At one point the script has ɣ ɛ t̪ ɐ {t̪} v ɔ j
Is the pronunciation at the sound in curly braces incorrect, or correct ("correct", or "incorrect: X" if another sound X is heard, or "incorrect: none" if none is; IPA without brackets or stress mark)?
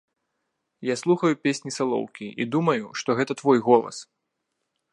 correct